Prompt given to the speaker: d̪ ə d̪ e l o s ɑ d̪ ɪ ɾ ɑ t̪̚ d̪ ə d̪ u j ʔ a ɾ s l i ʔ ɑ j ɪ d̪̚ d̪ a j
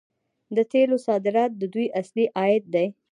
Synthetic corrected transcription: d̪ ə t̪ e l o s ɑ d̪ ɪ ɾ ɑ t̪̚ d̪ ə d̪ u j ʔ a s l i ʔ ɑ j ɪ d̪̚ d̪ a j